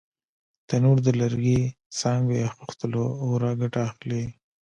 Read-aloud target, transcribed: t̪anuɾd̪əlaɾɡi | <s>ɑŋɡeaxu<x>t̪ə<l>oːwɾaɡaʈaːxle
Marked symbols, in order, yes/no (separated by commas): yes, yes, yes